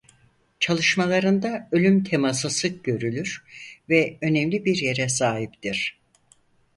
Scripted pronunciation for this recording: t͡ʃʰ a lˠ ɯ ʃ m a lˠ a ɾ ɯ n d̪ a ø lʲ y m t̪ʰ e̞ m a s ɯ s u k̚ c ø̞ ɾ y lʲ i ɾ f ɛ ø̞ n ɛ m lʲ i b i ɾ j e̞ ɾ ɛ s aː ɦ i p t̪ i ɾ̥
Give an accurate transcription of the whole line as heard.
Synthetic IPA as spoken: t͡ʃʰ a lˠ ɯ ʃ m a lˠ a ɾ ɯ n d̪ a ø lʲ y m t̪ʰ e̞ m a s ɯ s ɯ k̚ ɟ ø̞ ɾ y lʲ y ɾ v ɛ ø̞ n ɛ m lʲ i b i ɾ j e̞ ɾ ɛ s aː ɦ i p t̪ i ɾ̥